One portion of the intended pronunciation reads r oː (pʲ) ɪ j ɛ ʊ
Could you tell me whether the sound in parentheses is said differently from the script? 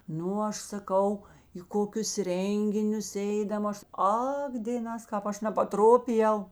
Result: no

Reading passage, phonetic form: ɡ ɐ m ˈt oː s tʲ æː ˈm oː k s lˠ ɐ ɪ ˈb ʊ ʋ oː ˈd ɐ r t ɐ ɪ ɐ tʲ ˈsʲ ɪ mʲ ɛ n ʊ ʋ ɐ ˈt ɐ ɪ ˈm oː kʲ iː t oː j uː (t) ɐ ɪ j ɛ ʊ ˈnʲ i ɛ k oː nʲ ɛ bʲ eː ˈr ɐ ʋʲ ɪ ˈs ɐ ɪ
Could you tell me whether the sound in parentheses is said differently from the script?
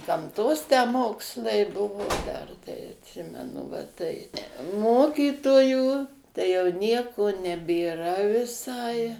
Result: no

